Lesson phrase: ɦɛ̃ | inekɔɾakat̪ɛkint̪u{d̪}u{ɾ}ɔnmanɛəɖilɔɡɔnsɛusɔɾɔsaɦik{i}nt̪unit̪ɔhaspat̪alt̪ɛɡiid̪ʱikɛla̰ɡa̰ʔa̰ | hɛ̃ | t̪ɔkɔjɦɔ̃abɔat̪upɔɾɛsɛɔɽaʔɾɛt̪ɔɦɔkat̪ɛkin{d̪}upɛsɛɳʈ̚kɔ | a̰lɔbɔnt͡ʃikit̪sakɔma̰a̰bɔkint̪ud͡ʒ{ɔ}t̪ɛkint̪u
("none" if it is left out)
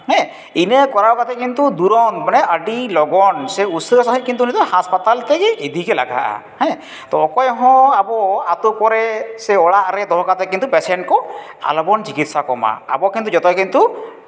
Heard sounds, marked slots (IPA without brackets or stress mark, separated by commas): d̪, ɾ, i, t̪, ɔ